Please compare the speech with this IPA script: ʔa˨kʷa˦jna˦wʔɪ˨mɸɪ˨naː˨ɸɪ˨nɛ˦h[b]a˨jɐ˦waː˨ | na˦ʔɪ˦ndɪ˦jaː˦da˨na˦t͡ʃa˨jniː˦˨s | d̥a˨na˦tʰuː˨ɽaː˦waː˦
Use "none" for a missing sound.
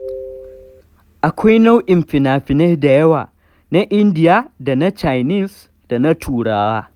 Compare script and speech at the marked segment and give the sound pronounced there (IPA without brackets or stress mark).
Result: d